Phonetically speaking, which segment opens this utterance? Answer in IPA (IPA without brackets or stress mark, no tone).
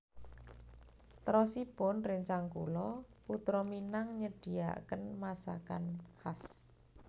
t̪